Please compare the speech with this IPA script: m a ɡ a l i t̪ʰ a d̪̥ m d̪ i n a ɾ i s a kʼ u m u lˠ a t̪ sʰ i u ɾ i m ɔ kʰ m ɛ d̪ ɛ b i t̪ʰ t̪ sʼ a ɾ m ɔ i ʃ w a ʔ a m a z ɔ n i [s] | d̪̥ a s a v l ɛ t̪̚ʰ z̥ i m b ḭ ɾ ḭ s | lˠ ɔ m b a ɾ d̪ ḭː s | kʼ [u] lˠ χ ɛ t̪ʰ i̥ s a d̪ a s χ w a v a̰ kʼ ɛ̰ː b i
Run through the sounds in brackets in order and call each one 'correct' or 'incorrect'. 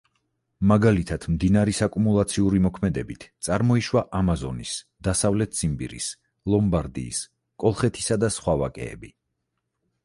correct, incorrect: ɔ

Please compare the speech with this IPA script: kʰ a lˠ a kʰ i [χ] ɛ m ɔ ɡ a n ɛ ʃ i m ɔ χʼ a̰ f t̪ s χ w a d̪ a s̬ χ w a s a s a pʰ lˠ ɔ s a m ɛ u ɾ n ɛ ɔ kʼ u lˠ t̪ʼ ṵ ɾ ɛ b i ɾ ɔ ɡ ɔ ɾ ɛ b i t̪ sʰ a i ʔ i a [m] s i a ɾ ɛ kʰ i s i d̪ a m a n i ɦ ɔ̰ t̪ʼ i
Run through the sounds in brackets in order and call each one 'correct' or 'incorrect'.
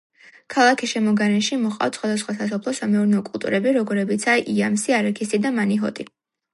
incorrect: ʃ, correct

